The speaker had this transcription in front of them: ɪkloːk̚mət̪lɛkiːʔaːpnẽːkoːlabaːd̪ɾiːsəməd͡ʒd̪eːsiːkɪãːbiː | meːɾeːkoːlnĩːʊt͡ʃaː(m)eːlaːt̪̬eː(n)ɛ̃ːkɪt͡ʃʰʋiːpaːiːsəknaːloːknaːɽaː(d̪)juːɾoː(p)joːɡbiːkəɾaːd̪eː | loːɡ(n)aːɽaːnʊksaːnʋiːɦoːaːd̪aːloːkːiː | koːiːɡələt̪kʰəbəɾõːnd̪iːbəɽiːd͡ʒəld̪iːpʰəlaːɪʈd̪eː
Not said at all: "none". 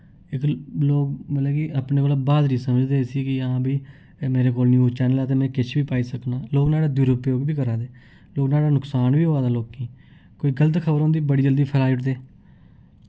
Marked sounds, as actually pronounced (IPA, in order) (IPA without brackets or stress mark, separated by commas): n, m, d̪, p, n